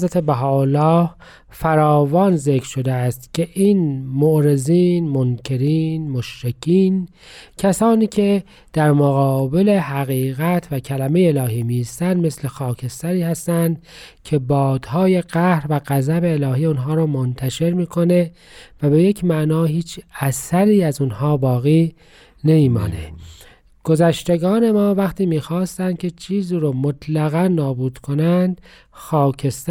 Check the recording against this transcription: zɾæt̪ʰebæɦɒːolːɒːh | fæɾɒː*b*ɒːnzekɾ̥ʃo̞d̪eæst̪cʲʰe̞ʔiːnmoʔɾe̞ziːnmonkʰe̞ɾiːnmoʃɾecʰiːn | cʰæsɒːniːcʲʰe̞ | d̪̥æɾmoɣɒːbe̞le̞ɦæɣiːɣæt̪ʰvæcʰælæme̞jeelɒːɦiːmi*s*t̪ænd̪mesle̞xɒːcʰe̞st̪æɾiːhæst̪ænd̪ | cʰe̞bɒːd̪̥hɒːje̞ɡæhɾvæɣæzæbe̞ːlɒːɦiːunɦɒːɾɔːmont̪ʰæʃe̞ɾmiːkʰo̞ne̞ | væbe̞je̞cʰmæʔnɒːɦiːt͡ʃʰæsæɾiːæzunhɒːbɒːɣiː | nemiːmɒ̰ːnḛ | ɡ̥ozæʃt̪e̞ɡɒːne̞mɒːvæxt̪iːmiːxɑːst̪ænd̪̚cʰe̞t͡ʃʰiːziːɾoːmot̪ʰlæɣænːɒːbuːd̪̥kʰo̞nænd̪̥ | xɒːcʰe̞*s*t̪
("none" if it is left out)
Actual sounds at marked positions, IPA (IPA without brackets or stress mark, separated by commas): v, s, s